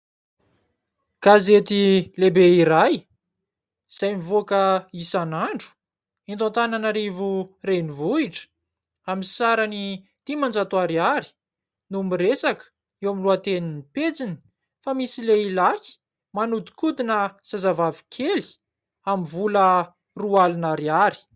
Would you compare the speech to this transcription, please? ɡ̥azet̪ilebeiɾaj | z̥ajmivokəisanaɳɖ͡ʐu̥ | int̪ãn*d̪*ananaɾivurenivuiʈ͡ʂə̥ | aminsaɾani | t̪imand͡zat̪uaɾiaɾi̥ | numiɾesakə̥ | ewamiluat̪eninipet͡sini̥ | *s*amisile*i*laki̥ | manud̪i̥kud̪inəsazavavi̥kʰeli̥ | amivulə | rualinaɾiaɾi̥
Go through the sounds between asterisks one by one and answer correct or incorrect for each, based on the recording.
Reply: incorrect: t̪, incorrect: f, correct

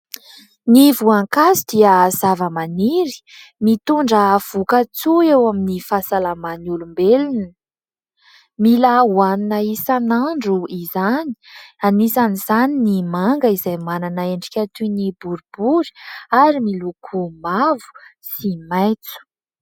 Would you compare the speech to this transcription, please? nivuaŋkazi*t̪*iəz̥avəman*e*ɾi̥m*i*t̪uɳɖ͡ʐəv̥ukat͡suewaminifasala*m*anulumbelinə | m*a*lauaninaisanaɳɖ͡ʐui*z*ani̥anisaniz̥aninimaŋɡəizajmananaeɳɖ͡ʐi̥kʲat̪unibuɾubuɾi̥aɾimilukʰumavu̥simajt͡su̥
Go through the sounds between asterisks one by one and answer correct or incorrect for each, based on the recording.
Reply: incorrect: d̪, incorrect: i, correct, correct, incorrect: i, correct

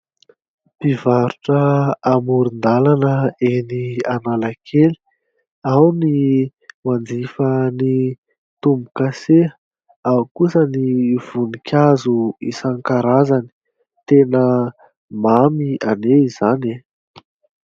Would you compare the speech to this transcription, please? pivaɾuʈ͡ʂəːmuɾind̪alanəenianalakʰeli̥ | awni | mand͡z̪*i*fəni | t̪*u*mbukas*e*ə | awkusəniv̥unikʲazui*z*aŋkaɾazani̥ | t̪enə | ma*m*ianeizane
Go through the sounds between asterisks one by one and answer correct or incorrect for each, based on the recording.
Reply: correct, correct, correct, incorrect: s, correct

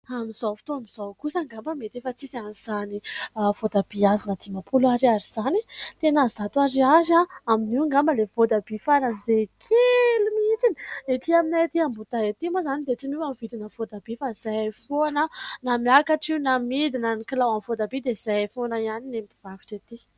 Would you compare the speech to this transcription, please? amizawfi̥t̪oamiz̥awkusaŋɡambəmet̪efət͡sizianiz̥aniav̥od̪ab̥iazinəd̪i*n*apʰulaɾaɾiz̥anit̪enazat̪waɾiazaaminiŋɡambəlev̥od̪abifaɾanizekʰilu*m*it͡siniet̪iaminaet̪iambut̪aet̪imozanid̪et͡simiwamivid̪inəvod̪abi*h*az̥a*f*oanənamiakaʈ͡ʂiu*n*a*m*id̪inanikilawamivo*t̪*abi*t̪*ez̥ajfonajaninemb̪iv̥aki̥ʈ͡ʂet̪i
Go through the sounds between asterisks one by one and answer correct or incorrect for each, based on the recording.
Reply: incorrect: m, correct, incorrect: f, correct, correct, correct, incorrect: d̪, incorrect: d̪

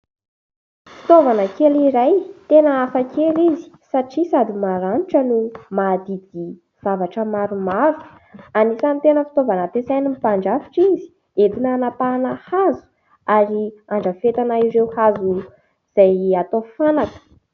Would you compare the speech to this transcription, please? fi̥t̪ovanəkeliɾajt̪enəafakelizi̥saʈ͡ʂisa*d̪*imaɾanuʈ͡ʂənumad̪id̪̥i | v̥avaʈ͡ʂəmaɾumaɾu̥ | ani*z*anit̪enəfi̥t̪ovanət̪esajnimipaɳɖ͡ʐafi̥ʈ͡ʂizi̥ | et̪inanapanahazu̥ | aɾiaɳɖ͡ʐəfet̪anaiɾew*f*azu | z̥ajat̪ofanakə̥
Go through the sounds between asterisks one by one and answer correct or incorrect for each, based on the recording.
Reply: correct, incorrect: s, incorrect: h

